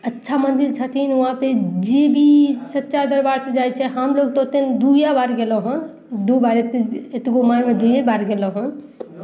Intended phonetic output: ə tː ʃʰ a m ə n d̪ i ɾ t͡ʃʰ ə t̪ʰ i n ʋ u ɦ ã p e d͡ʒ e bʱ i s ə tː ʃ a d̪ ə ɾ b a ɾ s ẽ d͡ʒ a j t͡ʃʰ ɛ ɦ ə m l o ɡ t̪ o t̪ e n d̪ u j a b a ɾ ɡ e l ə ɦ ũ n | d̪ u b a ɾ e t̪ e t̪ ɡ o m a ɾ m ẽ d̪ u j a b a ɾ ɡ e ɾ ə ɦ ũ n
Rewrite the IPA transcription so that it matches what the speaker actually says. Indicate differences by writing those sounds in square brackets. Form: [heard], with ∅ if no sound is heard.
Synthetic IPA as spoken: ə tː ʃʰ a m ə n d̪ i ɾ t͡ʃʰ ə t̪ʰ i n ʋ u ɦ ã p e d͡ʒ e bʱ i s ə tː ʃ a d̪ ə ɾ b a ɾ s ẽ d͡ʒ a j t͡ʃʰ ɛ ɦ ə m l o ɡ t̪ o t̪ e n d̪ u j a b a ɾ ɡ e l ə ɦ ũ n | d̪ u b a ɾ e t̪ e t̪ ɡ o m a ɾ m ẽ d̪ u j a b a ɾ ɡ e [l] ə ɦ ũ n